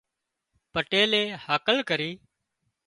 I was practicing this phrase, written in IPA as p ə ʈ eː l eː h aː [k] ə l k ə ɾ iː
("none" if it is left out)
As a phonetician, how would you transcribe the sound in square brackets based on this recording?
k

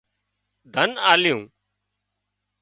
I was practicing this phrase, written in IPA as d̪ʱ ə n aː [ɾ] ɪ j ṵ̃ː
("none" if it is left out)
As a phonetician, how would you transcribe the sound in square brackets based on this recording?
l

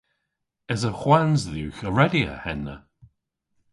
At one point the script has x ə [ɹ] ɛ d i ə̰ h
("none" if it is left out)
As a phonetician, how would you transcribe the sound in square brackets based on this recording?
ɹ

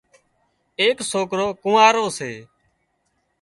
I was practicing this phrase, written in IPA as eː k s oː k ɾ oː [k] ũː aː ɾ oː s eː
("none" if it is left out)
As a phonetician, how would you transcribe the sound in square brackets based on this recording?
k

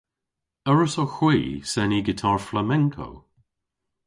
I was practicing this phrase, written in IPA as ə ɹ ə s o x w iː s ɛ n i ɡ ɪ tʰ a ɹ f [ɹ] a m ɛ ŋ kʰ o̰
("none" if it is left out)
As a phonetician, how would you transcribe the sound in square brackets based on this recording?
l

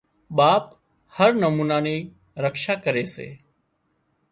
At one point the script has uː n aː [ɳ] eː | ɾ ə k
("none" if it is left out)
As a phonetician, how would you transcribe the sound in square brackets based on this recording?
n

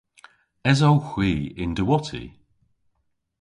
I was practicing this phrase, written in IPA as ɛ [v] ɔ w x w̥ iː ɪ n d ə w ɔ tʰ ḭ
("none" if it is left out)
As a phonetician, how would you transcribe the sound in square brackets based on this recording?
z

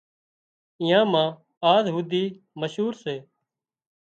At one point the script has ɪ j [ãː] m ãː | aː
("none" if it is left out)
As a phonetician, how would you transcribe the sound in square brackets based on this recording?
ãː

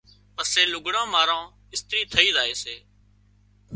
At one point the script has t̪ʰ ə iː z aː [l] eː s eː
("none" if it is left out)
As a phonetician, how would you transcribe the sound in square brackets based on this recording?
none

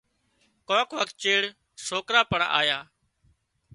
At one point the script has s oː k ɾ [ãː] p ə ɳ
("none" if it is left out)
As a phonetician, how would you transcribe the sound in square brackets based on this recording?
aː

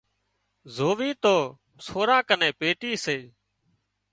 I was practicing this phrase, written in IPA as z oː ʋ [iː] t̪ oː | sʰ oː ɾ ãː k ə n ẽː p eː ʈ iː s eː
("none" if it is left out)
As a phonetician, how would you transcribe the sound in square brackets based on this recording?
iː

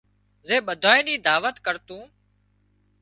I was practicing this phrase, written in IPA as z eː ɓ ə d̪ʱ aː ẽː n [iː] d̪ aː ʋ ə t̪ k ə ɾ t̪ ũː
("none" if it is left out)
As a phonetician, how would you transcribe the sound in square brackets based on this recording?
iː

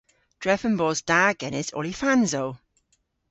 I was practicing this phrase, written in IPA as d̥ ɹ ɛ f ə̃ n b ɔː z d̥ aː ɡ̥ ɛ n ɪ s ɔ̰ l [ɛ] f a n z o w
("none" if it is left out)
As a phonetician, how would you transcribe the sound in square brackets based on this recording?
i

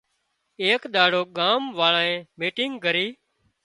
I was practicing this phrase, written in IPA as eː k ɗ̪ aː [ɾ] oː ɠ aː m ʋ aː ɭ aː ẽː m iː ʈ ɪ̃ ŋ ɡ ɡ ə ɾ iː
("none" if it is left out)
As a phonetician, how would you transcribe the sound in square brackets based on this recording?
ɽ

